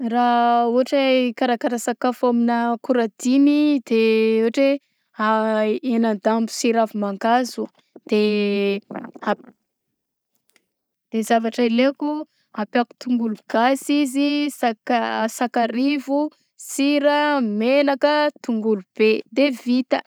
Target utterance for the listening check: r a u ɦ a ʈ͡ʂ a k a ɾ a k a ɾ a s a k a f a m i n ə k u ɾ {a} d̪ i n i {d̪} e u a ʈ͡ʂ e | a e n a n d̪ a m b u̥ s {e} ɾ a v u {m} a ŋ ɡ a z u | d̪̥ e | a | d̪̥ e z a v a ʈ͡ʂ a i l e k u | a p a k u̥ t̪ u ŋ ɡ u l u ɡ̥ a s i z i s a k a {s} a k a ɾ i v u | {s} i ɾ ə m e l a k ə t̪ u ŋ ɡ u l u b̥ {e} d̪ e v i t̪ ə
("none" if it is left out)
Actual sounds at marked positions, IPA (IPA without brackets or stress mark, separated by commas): a, d̪, i, m, s, s, e